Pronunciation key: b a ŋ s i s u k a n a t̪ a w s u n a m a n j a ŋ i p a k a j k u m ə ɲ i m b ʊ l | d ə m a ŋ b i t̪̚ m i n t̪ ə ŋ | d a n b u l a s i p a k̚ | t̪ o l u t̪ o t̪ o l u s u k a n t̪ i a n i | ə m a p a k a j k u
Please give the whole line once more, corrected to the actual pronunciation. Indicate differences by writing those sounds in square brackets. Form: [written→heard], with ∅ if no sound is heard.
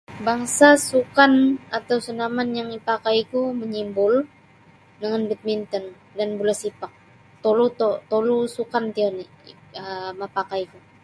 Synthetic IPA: b a ŋ s [i→a] s u k a n a t̪ a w s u n a m a n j a ŋ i p a k a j k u m ə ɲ i m b ʊ l | d ə [m→ŋ] a [ŋ→n] b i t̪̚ m i n t̪ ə [ŋ→n] | d a n b u l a s i p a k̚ | t̪ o l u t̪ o t̪ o l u s u k a n t̪ i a n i | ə m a p a k a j k u